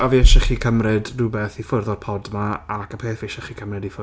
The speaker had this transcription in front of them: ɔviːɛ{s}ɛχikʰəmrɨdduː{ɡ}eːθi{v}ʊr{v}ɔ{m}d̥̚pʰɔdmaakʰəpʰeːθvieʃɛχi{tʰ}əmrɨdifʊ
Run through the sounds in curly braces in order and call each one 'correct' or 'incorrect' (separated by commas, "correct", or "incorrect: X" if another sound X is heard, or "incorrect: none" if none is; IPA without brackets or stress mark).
incorrect: ʃ, incorrect: b, incorrect: f, incorrect: ð, incorrect: none, incorrect: kʰ